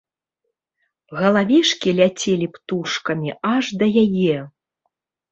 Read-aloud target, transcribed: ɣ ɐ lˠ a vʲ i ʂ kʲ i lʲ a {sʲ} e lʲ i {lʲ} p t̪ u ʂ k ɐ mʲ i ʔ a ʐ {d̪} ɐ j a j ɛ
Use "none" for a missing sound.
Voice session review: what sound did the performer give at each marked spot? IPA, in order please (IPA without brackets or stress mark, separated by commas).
t͡sʲ, none, d̪